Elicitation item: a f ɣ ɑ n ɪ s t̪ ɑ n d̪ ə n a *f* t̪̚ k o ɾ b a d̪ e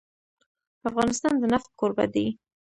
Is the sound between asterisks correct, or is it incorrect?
correct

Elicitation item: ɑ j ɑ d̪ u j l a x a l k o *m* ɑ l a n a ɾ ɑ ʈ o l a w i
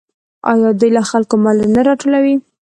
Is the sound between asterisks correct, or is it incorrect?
correct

